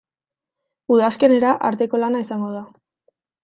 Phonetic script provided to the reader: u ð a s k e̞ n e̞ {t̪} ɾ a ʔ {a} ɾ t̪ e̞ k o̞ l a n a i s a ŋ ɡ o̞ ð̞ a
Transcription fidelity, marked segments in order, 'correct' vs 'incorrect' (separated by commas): incorrect, correct